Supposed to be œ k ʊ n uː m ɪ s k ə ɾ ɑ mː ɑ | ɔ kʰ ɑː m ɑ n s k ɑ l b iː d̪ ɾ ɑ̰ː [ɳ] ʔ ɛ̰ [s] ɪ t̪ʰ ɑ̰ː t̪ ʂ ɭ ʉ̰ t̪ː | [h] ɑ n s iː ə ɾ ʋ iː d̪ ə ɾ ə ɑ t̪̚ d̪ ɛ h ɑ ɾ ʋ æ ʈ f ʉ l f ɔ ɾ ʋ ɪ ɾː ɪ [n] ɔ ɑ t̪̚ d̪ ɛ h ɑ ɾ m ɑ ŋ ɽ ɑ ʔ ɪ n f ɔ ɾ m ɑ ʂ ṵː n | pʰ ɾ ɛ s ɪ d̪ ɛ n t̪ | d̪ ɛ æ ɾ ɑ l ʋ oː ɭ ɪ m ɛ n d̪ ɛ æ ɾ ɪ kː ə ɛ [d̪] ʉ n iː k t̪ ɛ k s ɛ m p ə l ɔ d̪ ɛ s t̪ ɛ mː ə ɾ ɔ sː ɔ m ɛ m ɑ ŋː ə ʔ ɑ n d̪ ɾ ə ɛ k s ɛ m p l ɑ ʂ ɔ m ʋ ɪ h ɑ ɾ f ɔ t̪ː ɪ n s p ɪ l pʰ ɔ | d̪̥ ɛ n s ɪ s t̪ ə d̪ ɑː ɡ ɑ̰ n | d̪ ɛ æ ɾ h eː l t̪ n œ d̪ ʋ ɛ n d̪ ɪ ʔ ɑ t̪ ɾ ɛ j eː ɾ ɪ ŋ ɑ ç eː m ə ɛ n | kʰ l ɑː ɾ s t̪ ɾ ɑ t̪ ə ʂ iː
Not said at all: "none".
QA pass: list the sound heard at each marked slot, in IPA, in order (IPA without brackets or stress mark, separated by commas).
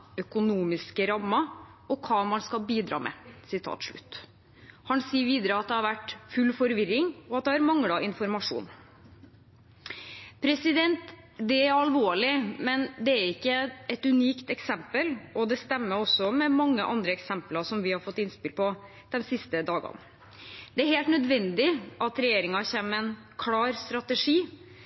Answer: m, s, h, ŋ, t̪